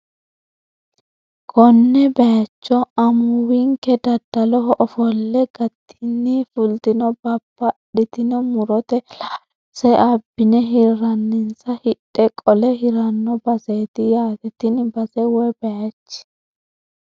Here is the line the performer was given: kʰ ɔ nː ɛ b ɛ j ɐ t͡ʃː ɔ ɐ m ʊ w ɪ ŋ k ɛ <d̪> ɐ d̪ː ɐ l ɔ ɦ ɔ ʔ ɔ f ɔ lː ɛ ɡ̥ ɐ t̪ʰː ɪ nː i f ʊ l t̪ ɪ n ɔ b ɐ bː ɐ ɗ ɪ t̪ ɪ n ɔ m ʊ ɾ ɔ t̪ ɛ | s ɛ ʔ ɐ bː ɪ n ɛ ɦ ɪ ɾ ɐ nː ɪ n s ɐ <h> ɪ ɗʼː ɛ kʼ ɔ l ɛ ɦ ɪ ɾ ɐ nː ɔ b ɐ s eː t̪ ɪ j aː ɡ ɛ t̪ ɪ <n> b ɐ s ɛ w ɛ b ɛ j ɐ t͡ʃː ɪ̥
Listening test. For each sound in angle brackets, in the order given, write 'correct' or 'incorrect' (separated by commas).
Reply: correct, correct, correct